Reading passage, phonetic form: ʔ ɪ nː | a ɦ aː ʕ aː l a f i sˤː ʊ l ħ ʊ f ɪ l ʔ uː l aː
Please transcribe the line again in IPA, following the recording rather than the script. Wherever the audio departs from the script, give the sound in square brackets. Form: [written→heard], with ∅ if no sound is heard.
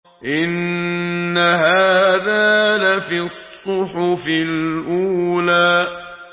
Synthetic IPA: ʔ ɪ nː | a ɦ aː [ʕ→ð] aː l a f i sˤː ʊ [l→∅] ħ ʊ f ɪ l ʔ uː l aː